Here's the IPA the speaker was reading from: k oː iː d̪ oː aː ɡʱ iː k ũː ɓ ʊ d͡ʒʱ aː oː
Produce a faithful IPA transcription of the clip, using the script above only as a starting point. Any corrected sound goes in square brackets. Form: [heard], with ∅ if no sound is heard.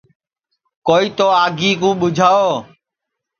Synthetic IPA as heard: k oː iː [t̪] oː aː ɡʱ iː k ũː ɓ ʊ d͡ʒʱ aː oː